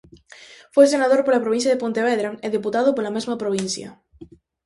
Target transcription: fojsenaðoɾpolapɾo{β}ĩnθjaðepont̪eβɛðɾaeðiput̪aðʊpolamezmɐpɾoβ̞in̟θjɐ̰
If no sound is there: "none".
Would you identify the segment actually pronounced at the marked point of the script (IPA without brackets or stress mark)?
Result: β